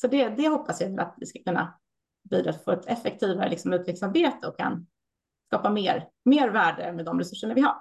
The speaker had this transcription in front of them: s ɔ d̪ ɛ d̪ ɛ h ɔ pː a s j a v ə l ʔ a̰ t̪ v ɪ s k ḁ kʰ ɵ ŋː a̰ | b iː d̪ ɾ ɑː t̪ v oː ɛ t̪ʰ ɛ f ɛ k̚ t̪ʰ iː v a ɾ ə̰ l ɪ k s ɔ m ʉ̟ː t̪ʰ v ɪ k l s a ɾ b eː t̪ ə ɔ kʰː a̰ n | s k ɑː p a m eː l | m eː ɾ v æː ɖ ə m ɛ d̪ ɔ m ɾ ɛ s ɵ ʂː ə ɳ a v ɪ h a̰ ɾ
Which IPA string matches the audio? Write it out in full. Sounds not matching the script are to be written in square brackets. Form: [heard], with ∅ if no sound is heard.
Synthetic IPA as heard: s ɔ d̪ ɛ d̪ ɛ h ɔ pː a s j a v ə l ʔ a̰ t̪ v ɪ s k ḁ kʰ ɵ [nː] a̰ | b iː d̪ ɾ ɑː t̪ [f] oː ɛ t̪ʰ ɛ f ɛ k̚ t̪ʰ iː v a ɾ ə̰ l ɪ k s ɔ m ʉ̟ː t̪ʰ v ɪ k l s a ɾ b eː t̪ ə ɔ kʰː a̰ n | s k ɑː p a m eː [ɾ] | m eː ɾ v æː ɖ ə m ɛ d̪ ɔ m ɾ ɛ s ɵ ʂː ə ɳ a v ɪ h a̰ ɾ